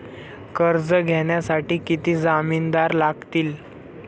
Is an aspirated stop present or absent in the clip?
absent